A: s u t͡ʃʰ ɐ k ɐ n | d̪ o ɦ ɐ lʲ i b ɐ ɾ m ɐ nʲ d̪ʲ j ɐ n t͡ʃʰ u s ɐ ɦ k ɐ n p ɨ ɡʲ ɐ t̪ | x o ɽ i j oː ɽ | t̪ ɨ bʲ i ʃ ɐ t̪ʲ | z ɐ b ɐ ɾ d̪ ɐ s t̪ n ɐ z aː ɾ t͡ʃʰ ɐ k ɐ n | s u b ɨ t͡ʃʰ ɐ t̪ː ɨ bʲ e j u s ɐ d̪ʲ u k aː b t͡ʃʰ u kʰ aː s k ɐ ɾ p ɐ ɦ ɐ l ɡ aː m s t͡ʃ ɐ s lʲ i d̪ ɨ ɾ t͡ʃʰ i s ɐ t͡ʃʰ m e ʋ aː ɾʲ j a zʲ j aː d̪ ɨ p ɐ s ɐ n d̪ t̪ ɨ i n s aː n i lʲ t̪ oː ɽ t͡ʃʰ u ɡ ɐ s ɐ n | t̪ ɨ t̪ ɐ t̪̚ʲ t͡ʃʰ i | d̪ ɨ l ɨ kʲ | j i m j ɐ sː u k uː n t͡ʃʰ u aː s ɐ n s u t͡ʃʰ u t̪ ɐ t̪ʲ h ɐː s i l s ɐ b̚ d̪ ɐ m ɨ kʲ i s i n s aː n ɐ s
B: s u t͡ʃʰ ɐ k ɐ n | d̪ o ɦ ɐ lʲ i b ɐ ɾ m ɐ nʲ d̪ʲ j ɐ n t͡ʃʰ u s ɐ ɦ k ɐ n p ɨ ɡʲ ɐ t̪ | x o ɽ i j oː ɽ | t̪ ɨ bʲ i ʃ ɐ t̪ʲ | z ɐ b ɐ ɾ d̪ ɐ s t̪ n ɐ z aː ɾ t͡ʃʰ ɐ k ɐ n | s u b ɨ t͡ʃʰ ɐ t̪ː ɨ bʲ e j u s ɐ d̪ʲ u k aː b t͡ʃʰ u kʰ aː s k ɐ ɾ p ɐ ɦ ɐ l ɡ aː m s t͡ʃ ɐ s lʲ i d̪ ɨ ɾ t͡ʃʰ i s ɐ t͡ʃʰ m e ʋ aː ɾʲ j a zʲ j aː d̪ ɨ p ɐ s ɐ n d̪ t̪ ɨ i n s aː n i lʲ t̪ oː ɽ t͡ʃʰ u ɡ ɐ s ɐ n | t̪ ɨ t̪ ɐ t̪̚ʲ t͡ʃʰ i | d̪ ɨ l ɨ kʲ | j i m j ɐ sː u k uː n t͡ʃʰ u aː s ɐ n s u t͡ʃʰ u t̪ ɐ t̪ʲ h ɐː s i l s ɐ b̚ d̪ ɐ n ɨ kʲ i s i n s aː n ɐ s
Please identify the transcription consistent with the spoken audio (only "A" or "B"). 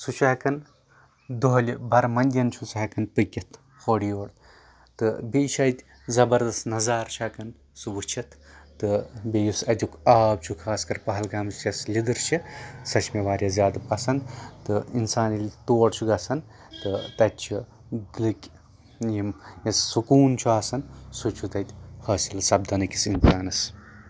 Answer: B